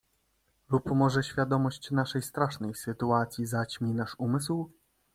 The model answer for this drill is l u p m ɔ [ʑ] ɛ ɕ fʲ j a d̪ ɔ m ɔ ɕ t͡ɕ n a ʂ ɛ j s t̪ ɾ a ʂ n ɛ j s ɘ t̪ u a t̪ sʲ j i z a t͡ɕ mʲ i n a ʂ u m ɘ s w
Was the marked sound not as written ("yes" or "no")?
yes